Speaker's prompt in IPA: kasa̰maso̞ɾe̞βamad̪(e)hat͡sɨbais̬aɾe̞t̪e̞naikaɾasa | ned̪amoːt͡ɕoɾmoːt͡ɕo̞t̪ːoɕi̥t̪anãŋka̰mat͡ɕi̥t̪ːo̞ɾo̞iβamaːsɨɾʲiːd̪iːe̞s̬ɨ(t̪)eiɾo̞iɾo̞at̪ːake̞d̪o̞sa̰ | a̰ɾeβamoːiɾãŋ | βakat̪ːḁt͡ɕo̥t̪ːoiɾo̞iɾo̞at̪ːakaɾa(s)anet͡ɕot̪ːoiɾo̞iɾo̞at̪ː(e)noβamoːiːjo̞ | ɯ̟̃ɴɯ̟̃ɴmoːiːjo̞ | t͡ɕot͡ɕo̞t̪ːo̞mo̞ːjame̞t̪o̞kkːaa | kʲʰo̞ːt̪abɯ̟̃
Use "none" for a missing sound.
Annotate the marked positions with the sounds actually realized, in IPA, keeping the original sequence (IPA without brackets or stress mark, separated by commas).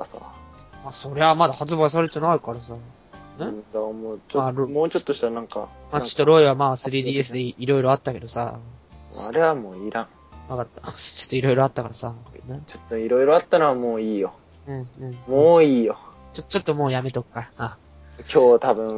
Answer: a, d̪, s, a